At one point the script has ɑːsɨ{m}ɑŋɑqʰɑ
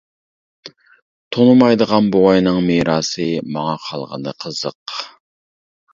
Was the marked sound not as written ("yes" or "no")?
no